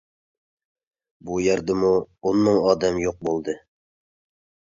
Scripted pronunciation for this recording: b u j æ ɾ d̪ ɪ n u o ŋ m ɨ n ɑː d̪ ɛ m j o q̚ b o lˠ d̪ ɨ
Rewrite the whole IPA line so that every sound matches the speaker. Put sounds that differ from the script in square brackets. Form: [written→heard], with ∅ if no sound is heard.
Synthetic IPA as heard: b u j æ ɾ d̪ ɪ [n→m] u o [ŋ→n] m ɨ [n→ŋ] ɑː d̪ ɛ m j o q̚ b o lˠ d̪ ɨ